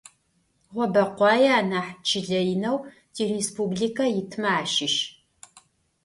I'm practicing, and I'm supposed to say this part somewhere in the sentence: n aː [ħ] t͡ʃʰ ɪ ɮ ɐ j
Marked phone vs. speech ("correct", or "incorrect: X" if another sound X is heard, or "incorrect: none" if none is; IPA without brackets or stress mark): correct